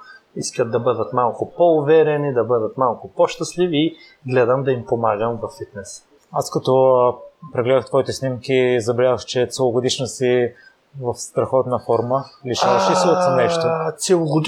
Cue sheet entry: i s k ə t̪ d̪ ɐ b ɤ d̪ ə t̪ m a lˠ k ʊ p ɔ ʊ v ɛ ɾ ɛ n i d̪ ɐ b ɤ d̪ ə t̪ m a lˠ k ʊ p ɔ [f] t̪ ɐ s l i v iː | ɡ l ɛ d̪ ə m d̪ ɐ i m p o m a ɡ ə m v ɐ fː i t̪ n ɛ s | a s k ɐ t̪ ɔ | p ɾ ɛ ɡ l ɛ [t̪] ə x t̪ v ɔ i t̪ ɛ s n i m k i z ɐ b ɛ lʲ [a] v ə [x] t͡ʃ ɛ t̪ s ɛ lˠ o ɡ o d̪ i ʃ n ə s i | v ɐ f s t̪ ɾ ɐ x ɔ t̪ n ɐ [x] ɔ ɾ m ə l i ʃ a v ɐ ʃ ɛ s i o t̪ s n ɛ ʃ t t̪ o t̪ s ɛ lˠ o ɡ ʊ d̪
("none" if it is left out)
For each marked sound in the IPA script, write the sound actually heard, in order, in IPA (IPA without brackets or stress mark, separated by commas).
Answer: ʃ, d̪, a, x, f